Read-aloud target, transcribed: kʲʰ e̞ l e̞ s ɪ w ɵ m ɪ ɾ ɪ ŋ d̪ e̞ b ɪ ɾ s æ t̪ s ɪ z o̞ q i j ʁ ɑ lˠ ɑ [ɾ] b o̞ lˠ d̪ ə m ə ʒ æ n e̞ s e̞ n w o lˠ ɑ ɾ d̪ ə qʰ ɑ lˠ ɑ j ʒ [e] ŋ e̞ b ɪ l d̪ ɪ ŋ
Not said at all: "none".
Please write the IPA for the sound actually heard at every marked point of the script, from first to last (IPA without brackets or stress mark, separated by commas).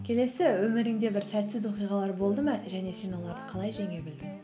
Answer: ɾ, e